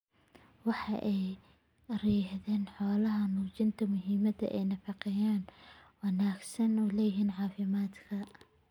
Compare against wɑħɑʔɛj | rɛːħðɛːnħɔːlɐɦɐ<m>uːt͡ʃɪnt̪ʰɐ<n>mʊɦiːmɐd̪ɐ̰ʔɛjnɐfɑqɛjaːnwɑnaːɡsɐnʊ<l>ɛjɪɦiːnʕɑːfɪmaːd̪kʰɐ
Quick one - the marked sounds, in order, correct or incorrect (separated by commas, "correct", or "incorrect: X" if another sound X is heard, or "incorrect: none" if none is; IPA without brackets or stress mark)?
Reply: incorrect: n, incorrect: none, correct